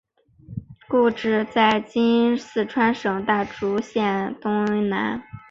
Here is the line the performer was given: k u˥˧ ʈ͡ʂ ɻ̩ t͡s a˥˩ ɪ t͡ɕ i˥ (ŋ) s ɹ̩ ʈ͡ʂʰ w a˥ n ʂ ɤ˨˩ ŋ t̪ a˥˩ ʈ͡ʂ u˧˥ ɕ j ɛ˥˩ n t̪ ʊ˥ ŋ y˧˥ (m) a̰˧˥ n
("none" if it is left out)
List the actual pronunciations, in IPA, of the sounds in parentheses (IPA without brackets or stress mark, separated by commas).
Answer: n, n